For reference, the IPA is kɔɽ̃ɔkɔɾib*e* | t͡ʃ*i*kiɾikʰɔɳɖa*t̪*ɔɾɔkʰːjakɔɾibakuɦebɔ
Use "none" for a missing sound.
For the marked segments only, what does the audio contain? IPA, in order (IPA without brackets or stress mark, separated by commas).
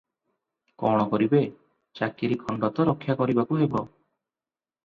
e, a, t̪